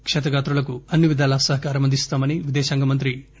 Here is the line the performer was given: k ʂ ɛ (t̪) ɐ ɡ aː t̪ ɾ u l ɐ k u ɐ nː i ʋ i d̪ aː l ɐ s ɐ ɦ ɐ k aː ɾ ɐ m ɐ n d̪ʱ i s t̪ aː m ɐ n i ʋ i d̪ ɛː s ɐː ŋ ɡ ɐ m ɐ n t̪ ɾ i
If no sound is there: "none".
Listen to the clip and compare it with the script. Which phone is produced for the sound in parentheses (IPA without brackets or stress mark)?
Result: t̪